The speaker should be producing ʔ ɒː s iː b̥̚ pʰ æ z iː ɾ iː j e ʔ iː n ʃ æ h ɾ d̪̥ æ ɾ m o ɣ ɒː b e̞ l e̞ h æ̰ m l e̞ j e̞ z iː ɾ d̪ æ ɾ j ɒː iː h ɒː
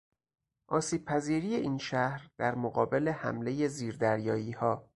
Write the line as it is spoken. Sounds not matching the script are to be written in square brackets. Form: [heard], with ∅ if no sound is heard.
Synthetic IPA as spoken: ʔ ɒː s iː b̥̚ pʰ æ z iː ɾ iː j e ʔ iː n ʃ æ h ɾ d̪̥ æ ɾ m o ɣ ɒː b e̞ l e̞ h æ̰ m l e̞ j e̞ z iː ɾ d̪ æ ɾ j ɒː iː h ɒː